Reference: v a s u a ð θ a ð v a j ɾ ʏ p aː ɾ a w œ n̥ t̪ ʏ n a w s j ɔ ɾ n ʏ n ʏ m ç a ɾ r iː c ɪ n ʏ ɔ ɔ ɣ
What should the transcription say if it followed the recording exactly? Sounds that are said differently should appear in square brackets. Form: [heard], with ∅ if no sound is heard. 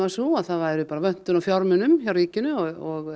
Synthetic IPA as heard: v a s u a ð θ a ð v a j ɾ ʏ p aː ɾ a [v] œ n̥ t̪ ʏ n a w [f] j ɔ ɾ [m] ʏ n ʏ m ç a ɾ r iː c ɪ n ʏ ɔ ɔ ɣ